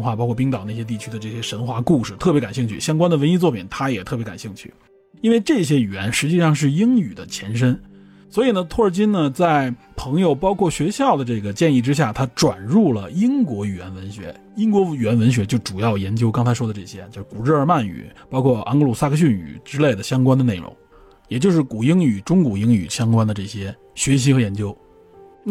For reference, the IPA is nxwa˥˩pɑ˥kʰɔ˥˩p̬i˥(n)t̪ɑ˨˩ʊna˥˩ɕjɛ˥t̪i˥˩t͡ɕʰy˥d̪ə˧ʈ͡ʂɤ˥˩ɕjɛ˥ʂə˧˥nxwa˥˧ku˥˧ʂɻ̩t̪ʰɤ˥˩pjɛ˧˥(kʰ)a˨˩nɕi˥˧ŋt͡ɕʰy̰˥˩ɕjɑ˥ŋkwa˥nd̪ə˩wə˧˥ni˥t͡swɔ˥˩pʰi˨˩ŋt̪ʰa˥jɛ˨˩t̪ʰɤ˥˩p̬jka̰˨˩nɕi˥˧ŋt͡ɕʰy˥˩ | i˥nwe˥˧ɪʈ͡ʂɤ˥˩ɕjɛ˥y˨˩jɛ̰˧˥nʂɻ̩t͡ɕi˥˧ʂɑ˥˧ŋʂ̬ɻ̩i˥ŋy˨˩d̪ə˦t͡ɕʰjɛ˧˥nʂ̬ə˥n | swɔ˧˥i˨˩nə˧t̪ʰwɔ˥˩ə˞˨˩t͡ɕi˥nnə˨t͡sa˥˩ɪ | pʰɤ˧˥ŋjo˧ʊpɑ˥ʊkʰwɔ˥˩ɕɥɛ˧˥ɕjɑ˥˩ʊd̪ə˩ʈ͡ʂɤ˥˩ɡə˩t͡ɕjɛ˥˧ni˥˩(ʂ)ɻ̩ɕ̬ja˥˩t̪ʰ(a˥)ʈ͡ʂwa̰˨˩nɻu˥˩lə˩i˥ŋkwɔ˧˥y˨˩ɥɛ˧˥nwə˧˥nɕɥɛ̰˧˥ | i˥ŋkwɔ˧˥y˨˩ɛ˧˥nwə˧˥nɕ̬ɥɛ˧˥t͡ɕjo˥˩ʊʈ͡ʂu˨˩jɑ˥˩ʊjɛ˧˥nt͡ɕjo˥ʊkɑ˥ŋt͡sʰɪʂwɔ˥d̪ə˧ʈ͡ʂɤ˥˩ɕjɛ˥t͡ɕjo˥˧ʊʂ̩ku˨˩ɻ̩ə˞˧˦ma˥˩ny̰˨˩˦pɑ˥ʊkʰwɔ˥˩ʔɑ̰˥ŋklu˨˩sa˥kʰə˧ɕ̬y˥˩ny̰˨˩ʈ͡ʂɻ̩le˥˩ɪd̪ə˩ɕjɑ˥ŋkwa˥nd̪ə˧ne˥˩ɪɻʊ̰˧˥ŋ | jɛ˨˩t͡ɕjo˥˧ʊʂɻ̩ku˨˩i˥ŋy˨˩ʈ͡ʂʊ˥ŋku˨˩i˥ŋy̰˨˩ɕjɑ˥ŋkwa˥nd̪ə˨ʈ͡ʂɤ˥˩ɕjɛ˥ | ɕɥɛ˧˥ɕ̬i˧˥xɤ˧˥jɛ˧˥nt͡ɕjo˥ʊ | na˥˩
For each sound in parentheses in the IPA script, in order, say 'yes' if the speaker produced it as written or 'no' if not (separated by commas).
no, no, no, yes